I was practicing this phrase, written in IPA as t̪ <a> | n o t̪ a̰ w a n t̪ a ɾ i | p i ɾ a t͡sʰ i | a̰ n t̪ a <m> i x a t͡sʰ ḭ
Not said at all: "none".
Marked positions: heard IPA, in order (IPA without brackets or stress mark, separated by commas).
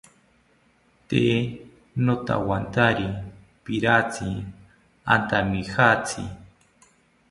e, m